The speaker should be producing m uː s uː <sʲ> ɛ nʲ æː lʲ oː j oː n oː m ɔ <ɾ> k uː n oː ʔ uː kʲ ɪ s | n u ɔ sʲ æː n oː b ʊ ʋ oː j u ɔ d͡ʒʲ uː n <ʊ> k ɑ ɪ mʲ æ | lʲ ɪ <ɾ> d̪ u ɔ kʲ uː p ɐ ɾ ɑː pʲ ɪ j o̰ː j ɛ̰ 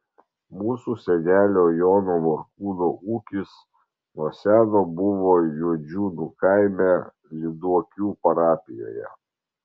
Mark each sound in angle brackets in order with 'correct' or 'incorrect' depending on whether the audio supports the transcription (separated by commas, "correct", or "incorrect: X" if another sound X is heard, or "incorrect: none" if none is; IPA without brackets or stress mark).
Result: correct, correct, incorrect: u, incorrect: none